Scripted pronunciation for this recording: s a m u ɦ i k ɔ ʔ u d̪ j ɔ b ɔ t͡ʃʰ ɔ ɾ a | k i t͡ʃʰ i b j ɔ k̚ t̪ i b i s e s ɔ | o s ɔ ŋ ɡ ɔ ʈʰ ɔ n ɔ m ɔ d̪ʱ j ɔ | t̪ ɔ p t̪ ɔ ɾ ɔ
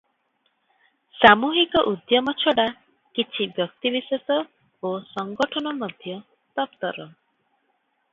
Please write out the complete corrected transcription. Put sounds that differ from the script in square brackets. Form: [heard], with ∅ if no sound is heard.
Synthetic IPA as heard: s a m u ɦ i k ɔ ʔ u d̪ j ɔ [m] ɔ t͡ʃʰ ɔ [ɽ] a | k i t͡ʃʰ i b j ɔ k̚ t̪ i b i s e s ɔ | o s ɔ ŋ ɡ ɔ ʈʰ ɔ n ɔ m ɔ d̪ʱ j ɔ | t̪ ɔ p t̪ ɔ ɾ ɔ